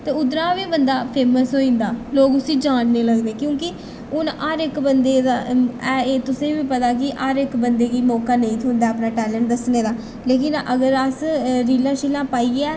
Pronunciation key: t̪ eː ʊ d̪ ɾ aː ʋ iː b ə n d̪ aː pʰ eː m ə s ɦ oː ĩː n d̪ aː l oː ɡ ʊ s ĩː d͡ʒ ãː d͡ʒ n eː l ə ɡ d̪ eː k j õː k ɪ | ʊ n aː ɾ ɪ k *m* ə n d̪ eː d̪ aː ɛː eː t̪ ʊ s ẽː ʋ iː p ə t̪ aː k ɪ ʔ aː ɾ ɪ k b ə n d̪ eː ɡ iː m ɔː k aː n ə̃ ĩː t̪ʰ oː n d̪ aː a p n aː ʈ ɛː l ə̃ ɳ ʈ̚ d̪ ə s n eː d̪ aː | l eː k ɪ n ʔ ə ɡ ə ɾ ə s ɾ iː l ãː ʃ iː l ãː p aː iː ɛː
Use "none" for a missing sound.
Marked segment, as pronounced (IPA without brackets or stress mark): b